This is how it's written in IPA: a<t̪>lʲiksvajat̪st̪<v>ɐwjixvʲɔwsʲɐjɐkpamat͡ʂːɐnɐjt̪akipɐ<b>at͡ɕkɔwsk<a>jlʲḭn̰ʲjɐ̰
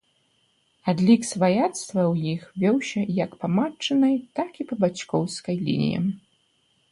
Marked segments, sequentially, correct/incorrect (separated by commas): incorrect, correct, correct, incorrect